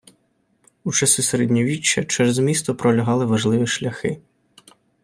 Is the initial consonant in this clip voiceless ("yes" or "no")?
yes